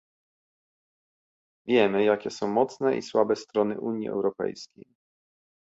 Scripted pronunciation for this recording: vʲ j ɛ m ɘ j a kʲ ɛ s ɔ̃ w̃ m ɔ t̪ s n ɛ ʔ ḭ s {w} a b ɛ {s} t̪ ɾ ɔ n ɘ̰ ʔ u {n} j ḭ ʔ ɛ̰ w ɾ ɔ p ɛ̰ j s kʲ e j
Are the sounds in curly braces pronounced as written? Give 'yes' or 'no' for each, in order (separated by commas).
yes, yes, no